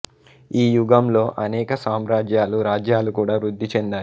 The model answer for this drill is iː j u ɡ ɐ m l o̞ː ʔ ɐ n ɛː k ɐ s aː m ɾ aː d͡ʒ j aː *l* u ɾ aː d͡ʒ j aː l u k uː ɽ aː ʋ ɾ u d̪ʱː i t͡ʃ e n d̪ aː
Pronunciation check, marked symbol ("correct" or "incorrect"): correct